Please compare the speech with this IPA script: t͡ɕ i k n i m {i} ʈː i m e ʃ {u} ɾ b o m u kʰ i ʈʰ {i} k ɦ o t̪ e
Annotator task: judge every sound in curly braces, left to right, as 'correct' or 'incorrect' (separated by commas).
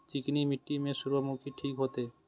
correct, correct, correct